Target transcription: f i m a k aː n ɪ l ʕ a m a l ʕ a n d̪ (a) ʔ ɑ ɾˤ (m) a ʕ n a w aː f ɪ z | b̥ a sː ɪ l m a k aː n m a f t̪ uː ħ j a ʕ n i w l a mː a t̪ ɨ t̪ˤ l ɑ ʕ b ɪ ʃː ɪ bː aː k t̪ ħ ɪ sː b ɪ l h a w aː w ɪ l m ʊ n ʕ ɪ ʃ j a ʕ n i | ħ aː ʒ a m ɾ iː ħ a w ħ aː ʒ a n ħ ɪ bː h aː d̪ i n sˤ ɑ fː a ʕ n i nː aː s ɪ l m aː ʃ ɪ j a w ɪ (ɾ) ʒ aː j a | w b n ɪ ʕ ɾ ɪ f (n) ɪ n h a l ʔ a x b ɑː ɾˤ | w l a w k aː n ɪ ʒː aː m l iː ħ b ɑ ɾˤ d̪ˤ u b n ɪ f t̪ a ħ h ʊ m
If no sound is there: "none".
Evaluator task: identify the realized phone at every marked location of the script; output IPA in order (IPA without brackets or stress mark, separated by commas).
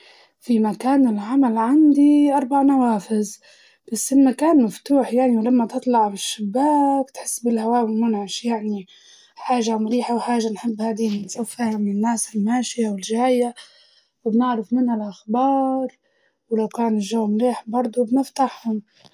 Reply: i, b, l, m